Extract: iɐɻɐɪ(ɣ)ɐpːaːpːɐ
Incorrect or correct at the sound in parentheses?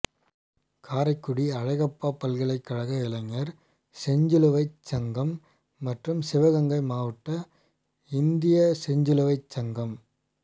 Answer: correct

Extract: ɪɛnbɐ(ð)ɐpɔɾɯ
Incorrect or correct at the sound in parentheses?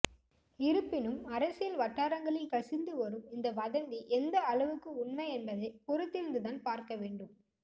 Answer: correct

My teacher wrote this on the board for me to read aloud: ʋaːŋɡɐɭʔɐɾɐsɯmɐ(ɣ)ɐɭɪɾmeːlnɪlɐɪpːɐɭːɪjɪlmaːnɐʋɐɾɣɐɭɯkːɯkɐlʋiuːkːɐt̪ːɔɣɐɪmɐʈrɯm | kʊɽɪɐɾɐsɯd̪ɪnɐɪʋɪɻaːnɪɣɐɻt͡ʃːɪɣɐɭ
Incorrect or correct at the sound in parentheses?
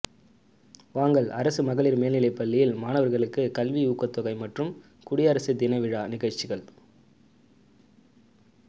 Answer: correct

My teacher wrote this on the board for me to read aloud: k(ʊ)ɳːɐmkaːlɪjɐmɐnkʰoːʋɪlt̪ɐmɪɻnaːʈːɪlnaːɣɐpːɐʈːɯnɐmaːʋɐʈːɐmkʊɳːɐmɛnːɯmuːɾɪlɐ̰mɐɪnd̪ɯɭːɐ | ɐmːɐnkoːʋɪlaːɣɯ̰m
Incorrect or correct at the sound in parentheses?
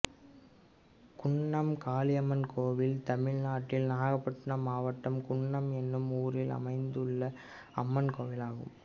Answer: correct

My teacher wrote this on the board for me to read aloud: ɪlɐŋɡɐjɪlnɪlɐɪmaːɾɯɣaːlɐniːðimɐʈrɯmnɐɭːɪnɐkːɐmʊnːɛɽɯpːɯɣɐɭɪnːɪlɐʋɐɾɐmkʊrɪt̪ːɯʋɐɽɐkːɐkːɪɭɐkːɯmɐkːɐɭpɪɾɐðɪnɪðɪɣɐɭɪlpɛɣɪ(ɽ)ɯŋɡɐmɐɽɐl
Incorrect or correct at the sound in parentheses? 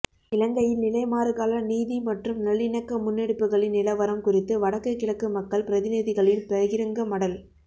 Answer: incorrect: ɾ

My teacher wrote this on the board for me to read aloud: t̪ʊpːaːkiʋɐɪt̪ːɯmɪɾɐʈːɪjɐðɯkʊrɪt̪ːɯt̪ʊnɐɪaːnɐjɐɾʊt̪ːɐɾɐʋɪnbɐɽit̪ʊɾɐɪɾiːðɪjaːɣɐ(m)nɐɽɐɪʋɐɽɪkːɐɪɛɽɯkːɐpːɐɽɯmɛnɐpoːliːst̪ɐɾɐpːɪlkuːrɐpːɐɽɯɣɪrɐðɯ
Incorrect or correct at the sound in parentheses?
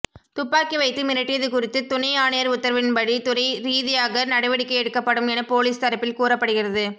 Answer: incorrect: none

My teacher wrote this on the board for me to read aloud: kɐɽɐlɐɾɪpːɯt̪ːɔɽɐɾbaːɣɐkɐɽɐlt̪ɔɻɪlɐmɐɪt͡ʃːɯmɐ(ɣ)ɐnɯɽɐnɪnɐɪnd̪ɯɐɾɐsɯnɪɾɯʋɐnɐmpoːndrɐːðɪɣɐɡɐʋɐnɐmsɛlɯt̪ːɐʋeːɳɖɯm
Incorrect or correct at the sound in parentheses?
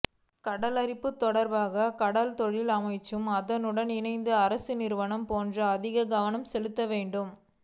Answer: incorrect: ð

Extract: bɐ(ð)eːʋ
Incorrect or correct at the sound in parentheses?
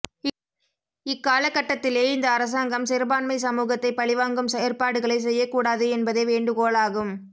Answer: correct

